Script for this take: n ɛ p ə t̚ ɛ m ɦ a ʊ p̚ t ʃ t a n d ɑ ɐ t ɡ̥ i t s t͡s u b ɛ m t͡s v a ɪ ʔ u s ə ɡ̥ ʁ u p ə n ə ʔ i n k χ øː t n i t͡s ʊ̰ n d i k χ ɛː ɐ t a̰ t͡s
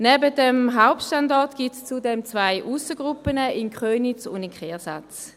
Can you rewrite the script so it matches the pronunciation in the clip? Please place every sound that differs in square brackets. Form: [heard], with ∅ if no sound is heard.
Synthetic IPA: n ɛ [b] ə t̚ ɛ m ɦ a ʊ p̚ t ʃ t a n d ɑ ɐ t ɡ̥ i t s t͡s u [d] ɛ m t͡s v a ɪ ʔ u s ə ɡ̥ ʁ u p ə n ə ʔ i n k χ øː [∅] n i t͡s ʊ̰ n d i k χ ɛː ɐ [s] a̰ t͡s